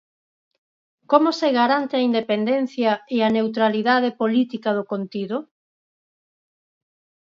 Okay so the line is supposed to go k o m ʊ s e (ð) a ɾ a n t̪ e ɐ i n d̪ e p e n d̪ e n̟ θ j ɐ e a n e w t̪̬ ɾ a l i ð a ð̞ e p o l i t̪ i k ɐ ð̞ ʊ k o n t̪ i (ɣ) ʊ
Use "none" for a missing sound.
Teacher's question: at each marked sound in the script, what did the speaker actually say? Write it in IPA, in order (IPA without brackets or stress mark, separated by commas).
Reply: ɣ, ð